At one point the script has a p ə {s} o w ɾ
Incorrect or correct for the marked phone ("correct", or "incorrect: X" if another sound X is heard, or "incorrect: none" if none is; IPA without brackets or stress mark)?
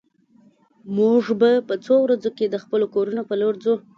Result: incorrect: t͡s